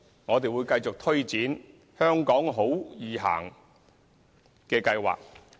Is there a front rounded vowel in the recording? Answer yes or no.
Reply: yes